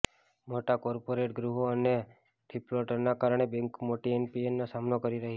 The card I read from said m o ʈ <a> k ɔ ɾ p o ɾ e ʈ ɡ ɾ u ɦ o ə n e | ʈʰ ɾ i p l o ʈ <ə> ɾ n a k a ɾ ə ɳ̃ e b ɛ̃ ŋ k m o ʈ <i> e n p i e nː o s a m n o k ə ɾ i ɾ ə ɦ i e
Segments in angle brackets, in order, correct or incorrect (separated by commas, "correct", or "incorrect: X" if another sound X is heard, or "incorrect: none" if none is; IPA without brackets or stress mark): correct, correct, correct